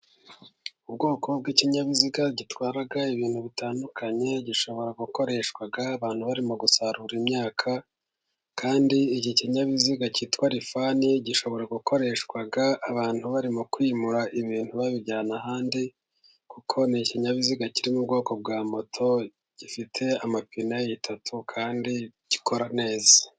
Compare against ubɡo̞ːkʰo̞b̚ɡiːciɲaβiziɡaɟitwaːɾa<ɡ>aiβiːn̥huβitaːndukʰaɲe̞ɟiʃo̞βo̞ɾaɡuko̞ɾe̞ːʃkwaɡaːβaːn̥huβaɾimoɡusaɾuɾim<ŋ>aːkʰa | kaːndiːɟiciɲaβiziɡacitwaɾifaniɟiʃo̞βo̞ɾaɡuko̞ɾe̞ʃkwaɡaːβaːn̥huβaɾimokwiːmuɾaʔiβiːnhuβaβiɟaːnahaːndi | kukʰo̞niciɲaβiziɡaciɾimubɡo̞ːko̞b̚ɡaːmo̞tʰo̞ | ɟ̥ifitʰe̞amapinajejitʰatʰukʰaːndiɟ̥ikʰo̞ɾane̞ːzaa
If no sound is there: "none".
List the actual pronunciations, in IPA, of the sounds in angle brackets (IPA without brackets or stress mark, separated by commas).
ɡ, ɲ